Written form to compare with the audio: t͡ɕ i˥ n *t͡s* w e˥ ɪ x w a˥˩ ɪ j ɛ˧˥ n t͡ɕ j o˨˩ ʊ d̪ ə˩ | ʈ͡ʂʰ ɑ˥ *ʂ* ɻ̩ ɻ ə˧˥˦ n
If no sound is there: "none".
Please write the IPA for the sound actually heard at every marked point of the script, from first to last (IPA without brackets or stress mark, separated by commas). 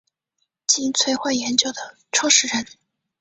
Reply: t͡sʰ, ʂ